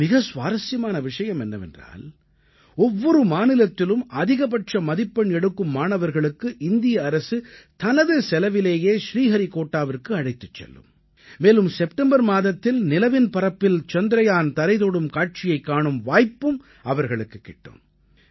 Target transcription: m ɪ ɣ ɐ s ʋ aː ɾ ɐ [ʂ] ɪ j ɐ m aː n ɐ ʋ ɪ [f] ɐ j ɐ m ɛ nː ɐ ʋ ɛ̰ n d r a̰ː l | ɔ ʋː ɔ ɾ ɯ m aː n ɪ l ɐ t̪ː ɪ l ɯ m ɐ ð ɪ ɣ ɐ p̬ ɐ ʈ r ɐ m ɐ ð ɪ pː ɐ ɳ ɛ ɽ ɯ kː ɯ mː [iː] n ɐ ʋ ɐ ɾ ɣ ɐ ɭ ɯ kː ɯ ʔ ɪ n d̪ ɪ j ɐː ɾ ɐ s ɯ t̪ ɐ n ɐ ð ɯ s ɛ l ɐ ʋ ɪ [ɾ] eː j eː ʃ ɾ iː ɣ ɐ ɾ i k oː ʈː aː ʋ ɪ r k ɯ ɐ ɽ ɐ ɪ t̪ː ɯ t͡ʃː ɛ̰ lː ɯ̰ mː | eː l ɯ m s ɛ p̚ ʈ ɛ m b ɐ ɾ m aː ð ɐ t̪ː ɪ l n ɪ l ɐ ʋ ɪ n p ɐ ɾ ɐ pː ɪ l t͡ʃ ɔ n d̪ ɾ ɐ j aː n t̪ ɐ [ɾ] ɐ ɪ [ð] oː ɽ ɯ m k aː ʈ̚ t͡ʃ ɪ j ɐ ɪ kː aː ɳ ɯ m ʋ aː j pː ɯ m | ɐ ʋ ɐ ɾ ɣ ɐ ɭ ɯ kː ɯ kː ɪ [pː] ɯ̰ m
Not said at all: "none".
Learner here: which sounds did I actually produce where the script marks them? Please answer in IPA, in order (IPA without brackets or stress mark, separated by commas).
s, ʂ, aː, l, ɾ, ð, ʈː